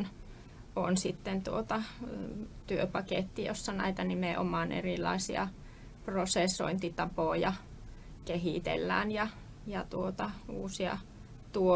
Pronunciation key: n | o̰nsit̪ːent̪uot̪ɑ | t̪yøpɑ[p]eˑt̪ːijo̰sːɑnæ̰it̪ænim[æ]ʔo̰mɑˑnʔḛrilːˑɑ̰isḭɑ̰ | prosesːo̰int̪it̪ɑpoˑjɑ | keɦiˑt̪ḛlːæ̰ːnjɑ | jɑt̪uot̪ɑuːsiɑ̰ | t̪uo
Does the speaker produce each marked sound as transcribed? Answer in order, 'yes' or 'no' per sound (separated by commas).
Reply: no, no